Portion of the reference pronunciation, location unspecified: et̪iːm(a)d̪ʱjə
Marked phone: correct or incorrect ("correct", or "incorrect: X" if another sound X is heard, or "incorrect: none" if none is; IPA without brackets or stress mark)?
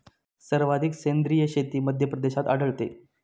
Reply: incorrect: ə